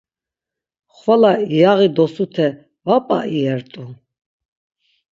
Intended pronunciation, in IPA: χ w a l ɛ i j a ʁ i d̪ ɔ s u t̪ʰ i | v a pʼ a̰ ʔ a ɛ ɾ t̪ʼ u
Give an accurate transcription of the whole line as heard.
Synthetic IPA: χ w a l a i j a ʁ i d̪ ɔ s u t̪ʰ ɛ | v a pʼ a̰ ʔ i ɛ ɾ t̪ʼ u